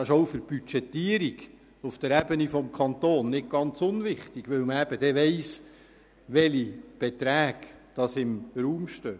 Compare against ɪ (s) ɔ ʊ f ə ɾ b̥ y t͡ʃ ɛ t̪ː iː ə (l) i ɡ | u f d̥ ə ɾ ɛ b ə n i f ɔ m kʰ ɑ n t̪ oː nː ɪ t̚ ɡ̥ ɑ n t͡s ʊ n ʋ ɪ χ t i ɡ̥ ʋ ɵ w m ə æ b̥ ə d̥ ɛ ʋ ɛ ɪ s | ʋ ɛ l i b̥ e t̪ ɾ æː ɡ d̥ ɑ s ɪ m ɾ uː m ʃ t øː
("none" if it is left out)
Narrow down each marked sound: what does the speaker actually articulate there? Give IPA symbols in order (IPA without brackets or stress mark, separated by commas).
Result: ʃ, ɾ